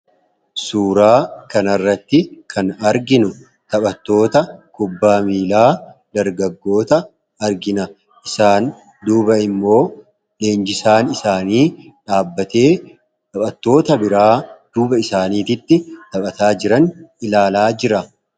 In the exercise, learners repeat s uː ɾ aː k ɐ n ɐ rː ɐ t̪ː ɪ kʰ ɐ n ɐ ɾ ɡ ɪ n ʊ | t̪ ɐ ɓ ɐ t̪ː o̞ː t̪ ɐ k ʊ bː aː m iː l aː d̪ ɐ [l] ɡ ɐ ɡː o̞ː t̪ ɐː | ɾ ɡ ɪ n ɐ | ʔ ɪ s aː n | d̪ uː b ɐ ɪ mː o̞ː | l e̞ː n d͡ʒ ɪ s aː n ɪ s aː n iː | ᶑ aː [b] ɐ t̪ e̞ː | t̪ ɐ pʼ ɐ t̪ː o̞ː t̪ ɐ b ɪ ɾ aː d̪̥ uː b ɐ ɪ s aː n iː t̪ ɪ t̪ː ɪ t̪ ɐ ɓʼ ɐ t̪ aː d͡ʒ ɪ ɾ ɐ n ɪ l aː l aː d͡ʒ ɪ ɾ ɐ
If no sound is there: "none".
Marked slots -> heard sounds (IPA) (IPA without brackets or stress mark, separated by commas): ɾ, bː